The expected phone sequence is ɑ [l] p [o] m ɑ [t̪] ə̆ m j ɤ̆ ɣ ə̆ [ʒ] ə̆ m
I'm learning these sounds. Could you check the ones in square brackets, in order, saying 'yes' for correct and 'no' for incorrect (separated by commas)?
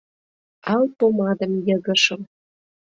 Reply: yes, yes, no, no